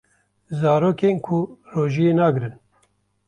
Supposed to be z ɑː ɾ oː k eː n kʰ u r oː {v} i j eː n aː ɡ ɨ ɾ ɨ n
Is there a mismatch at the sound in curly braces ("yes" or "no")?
yes